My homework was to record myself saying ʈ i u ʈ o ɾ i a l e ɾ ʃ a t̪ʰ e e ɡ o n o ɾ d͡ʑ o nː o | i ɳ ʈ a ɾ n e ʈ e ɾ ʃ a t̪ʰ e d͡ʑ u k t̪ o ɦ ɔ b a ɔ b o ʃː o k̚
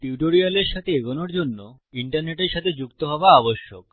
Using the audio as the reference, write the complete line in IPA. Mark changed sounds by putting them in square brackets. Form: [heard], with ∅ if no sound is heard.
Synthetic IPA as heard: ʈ i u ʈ o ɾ i a l e ɾ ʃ a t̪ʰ e e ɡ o n o ɾ d͡ʑ o nː o | i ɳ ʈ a ɾ n e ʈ e ɾ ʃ a t̪ʰ e d͡ʑ u k t̪ o ɦ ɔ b a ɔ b o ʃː o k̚